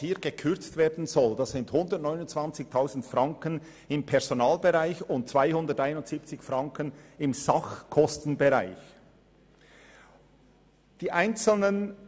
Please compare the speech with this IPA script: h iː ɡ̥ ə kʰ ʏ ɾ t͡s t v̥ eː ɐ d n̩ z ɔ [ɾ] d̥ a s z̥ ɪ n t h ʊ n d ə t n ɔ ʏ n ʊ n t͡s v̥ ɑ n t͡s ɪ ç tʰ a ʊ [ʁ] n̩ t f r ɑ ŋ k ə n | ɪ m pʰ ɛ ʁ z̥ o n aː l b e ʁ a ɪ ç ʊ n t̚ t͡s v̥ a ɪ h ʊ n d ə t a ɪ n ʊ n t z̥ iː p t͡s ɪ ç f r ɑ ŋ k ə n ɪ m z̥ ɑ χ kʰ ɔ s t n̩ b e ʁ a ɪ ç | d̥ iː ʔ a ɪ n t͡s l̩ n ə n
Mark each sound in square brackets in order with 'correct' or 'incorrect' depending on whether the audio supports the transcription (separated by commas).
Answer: incorrect, incorrect